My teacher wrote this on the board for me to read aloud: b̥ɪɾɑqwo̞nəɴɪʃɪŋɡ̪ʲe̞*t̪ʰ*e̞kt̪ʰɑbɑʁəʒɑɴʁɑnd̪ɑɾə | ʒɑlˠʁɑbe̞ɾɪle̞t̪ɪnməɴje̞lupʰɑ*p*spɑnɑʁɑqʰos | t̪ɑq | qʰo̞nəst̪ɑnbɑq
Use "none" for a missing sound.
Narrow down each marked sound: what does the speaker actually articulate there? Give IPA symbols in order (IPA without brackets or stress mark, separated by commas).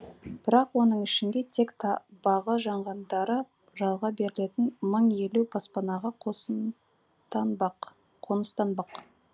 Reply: t̪ʰ, none